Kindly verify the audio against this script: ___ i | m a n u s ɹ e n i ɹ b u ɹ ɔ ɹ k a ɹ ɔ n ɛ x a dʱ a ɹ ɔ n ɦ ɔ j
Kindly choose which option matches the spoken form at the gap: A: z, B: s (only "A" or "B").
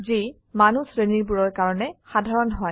A